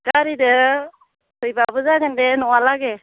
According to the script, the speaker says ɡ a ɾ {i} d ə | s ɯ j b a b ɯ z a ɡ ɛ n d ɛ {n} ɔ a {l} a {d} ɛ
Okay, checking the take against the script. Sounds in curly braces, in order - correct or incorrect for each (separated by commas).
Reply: correct, correct, correct, incorrect